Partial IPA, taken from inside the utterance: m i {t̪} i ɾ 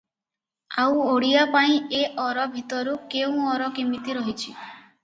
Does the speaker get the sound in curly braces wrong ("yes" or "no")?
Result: no